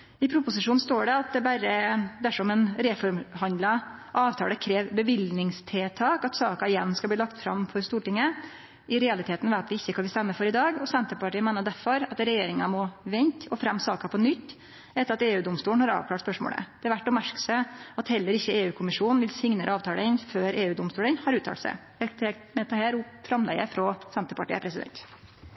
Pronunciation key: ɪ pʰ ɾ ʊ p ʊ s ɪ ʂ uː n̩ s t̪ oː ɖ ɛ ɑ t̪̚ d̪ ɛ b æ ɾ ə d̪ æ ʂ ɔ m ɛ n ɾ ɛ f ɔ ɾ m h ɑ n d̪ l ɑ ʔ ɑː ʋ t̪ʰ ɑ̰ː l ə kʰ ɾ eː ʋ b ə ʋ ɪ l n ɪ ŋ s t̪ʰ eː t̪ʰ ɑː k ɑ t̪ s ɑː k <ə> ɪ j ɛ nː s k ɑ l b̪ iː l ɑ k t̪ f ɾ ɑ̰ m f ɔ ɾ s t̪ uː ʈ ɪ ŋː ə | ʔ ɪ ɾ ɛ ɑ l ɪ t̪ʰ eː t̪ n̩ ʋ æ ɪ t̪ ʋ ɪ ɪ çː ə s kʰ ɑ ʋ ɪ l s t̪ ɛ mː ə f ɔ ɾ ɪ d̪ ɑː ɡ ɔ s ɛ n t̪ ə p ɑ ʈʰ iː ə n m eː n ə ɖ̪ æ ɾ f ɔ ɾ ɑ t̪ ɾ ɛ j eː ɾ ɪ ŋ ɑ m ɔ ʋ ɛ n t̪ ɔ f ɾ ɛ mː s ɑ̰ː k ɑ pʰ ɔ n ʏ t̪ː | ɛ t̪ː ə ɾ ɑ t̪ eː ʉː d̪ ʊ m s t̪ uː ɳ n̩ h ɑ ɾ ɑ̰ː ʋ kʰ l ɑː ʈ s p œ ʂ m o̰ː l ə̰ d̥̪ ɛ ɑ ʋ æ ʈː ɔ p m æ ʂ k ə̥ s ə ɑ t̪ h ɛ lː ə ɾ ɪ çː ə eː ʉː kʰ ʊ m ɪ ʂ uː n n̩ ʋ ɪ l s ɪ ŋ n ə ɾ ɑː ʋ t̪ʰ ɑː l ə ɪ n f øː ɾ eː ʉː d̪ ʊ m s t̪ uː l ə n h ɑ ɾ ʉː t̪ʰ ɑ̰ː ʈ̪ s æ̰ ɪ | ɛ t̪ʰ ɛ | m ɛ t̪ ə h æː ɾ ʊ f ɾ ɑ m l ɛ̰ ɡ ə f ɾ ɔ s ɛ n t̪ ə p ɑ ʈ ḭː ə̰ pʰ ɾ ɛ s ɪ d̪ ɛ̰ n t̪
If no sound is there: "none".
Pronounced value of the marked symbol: ɑ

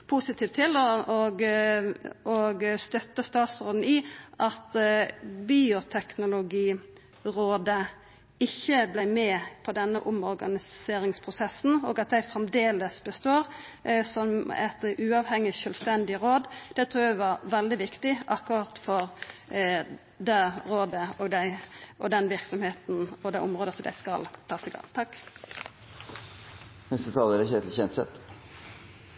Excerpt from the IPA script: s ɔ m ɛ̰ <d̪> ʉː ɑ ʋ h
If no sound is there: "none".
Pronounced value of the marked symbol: t̪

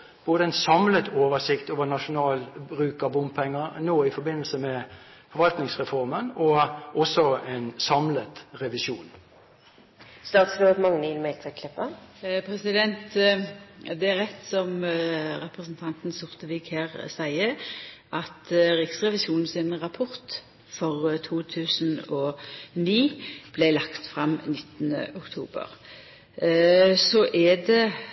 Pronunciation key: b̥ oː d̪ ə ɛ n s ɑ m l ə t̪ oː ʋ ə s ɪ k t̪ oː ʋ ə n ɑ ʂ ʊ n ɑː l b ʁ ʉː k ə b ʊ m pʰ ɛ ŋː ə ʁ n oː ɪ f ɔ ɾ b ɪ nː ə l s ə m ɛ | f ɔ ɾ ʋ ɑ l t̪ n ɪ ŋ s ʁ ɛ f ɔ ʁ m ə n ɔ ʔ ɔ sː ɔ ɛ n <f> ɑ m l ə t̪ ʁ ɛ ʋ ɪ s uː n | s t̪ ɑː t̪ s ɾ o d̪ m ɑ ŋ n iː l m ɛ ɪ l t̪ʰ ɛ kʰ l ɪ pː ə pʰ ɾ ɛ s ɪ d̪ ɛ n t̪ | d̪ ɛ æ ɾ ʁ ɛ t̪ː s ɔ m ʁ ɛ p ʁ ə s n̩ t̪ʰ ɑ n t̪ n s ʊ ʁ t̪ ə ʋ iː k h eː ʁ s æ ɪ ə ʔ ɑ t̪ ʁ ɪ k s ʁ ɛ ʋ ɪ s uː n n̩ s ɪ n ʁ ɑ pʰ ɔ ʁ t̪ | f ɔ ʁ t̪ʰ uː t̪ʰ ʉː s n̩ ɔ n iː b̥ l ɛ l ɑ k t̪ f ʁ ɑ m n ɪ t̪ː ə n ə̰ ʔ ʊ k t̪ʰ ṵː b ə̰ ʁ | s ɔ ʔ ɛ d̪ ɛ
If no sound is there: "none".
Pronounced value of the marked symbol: s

